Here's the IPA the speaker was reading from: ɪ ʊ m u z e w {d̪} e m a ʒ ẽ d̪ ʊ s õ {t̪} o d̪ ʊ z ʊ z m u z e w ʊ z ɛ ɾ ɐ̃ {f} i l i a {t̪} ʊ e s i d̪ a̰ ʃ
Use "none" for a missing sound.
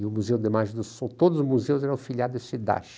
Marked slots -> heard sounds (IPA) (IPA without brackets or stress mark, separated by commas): d̪, t̪, f, d̪